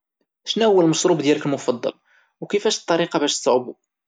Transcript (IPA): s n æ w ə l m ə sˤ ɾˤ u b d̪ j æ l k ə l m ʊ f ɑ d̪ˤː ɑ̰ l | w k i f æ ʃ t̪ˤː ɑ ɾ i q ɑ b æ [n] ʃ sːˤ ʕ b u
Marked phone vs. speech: incorrect: none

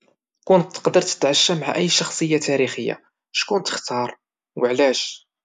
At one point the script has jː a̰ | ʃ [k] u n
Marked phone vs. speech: correct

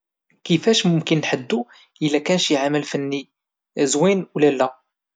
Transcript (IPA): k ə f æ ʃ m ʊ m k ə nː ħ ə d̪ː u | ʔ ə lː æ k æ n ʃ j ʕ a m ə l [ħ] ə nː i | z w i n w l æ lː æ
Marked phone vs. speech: incorrect: f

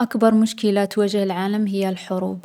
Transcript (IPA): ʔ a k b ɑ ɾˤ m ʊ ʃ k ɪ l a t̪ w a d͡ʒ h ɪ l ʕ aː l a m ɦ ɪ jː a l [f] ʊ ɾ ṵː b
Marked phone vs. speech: incorrect: ħ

